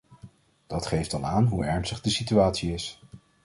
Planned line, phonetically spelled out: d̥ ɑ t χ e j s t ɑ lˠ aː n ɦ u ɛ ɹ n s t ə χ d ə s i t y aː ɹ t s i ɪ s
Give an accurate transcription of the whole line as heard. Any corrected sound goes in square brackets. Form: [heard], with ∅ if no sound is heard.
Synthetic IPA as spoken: d̥ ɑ t χ e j [f] t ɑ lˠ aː n ɦ u ɛ ɹ n s t ə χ d ə s i t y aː [∅] t s i ɪ s